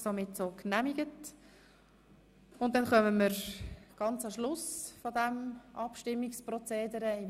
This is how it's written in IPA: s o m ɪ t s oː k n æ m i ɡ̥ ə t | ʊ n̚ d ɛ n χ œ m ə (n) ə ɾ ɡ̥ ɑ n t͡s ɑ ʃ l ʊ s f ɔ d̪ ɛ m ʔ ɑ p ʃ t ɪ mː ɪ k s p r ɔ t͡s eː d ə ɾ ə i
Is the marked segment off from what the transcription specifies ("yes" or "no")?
yes